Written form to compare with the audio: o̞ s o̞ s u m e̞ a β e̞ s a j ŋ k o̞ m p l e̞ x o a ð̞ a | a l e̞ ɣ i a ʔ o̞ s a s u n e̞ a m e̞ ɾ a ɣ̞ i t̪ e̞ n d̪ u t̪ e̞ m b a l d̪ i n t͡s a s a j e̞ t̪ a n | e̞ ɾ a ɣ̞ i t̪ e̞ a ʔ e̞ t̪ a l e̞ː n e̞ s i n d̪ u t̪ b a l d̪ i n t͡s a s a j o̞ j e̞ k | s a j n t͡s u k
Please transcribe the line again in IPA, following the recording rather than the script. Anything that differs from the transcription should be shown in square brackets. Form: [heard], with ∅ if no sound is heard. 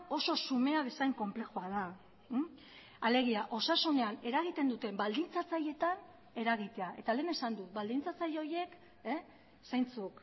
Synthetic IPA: o̞ s o̞ s u m e̞ a β e̞ s a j ŋ k o̞ m p l e̞ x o a ð̞ a | a l e̞ ɣ i a ʔ o̞ s a s u n e̞ a [n] e̞ ɾ a ɣ̞ i t̪ e̞ n d̪ u t̪ e̞ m b a l d̪ i n t͡s a [t͡s] a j e̞ t̪ a n | e̞ ɾ a ɣ̞ i t̪ e̞ a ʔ e̞ t̪ a l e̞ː n e̞ s [a] n d̪ u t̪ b a l d̪ i n t͡s a [t͡s] a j o̞ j e̞ k | s a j n t͡s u k